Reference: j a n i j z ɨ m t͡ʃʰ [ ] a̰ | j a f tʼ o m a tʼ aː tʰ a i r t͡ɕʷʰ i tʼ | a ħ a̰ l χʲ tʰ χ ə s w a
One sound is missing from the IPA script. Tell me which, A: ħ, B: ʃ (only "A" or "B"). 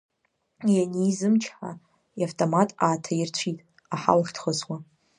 A